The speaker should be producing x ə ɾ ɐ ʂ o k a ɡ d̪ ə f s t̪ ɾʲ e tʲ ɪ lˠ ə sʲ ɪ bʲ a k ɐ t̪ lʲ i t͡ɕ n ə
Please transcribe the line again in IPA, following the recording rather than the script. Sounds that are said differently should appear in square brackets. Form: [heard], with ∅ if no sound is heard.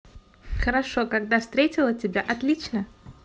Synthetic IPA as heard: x ə ɾ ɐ ʂ o k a ɡ d̪ [a] f s t̪ ɾʲ e tʲ ɪ lˠ ə [tʲ] ɪ bʲ a [ʔ] ɐ t̪ lʲ i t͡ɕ n ə

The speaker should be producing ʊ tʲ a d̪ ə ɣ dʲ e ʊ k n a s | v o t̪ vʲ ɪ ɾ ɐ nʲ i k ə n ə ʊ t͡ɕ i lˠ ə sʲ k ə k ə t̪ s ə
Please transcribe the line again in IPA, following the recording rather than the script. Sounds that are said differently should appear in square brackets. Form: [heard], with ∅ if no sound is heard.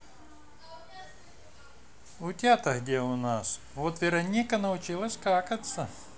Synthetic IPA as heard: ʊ tʲ a [t̪] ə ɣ dʲ e ʊ [∅] n a s | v o t̪ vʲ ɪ ɾ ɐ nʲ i k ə n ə ʊ t͡ɕ i lˠ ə sʲ k [a] k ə t̪ s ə

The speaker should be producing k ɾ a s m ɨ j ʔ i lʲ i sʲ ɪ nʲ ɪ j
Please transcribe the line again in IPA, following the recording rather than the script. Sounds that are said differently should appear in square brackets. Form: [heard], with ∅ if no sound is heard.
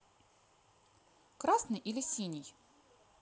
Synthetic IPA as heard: k ɾ a s [n] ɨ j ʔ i lʲ [ɪ] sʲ [i] nʲ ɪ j

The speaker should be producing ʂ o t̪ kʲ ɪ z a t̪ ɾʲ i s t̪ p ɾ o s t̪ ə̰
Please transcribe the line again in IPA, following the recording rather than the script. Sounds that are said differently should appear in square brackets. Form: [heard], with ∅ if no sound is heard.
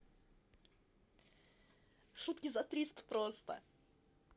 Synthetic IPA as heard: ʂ [u] t̪ kʲ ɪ z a t̪ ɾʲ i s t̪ p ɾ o s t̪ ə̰

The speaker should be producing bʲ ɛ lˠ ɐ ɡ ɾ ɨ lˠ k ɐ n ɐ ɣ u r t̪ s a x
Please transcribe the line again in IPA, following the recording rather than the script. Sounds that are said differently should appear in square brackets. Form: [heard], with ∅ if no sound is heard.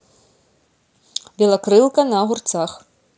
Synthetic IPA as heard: bʲ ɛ lˠ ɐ [k] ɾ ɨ lˠ k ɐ n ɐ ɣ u r t̪ s a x

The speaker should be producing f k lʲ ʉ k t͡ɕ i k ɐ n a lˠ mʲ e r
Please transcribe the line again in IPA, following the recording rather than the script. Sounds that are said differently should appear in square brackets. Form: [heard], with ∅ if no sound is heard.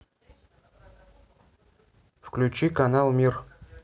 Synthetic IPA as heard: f k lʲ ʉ [∅] t͡ɕ i k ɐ n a lˠ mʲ [i] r

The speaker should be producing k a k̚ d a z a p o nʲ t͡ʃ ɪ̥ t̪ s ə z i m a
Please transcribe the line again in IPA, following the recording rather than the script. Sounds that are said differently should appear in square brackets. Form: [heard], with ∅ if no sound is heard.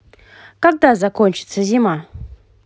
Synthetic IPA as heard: k a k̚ d a z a [k] o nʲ t͡ʃ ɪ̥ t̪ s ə z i m a

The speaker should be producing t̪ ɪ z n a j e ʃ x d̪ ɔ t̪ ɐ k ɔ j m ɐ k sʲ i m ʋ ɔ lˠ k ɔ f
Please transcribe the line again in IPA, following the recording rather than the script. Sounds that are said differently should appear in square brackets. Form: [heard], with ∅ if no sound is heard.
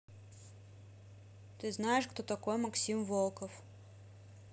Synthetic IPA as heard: t̪ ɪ z n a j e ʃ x [t̪] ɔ t̪ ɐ k ɔ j m ɐ k sʲ i m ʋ ɔ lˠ k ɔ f

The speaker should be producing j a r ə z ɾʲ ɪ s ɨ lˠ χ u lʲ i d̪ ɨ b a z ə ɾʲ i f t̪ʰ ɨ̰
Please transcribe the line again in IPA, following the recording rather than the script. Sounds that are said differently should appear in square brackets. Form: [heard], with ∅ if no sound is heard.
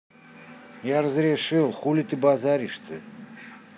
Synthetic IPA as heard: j a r ə z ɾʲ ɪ [ʂ] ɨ lˠ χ u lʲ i [t̪] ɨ b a z [a] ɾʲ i [ʂ] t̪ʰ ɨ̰

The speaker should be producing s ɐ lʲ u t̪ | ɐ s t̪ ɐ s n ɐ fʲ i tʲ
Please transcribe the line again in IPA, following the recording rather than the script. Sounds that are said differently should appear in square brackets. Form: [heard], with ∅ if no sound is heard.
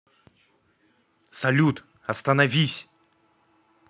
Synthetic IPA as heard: s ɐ lʲ u t̪ | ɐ s t̪ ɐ [∅] n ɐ [vʲ] i [sʲ]

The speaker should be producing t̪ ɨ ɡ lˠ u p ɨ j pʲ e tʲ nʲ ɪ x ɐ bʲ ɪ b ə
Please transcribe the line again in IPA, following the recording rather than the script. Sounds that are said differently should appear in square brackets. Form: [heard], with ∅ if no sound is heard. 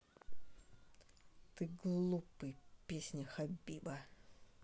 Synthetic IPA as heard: t̪ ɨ ɡ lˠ u p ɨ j pʲ e [sʲ] nʲ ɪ x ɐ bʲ [i] b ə

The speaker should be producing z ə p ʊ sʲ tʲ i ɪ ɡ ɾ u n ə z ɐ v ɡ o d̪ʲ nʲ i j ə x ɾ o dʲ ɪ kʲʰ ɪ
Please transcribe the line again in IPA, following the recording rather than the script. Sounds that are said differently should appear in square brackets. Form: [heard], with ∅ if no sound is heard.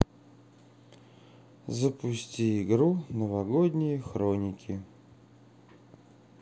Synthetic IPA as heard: z ə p ʊ sʲ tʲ i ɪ ɡ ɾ u n ə [v] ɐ [∅] ɡ o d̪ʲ nʲ [ɪ] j ə x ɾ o [nʲ] ɪ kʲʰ ɪ

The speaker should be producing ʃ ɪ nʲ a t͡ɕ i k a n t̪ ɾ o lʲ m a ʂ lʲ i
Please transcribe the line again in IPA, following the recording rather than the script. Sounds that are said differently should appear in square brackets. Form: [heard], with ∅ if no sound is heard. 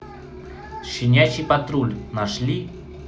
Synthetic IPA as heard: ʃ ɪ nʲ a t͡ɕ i [p] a [∅] t̪ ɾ [u] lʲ [n] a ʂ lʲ i

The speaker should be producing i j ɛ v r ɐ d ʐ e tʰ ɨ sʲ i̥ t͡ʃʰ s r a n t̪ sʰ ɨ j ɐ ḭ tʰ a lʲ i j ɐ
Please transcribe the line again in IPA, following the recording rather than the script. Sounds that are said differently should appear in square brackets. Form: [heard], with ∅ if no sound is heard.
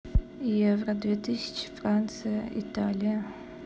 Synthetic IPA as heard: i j ɛ v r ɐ d [v] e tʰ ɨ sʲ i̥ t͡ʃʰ [f] r a n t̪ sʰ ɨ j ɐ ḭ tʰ a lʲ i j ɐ

